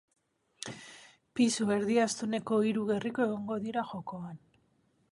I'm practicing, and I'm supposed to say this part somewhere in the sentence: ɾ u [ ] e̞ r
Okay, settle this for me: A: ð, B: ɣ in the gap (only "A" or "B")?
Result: B